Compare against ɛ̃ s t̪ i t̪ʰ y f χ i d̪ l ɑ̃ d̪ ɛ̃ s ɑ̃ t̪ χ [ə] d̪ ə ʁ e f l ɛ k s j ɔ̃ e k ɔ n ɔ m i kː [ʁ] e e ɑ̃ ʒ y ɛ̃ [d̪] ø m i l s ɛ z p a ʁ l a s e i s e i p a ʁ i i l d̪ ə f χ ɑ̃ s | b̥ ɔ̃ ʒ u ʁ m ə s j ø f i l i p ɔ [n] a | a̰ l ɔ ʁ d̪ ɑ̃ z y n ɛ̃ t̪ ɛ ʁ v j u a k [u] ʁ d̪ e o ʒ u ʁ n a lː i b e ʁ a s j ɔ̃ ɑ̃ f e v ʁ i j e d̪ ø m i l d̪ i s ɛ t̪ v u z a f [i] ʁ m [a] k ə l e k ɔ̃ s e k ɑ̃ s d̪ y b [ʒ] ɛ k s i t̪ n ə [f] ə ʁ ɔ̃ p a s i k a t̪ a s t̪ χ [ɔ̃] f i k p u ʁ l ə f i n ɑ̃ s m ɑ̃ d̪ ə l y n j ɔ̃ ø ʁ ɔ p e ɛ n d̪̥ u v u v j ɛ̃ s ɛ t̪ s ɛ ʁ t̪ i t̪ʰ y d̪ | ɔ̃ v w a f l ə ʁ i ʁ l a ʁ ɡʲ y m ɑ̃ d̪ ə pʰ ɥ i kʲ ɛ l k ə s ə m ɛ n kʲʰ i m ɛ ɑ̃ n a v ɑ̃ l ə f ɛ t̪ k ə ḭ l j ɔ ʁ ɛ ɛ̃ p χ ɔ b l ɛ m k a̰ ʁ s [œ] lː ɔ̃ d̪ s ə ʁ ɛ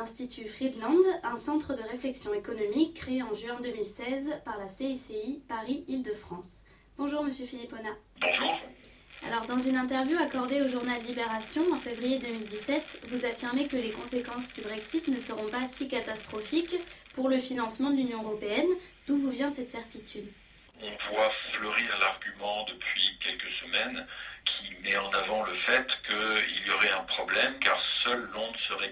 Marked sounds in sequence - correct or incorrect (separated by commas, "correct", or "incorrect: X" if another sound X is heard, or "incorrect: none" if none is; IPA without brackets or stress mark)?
correct, incorrect: χ, correct, correct, incorrect: ɔ, correct, incorrect: e, incorrect: ʁ, incorrect: s, incorrect: ɔ, correct